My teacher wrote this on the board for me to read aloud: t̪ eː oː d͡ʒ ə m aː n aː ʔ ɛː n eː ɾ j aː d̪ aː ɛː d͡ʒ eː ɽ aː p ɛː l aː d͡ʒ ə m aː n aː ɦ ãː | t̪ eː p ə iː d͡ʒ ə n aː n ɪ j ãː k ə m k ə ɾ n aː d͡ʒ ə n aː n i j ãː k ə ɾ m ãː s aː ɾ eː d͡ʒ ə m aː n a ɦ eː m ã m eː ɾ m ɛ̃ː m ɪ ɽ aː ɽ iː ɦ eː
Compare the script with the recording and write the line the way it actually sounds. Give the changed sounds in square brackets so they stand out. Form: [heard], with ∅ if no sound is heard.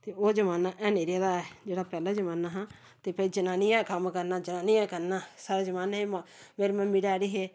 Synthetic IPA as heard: t̪ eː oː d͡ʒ ə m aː n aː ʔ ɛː n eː ɾ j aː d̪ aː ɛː d͡ʒ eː ɽ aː p ɛː l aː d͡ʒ ə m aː n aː ɦ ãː | t̪ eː p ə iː d͡ʒ ə n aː n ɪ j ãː k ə m k ə ɾ n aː d͡ʒ ə n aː n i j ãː k ə ɾ [n] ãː s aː ɾ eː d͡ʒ ə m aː n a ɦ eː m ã m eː ɾ m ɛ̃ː m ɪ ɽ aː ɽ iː ɦ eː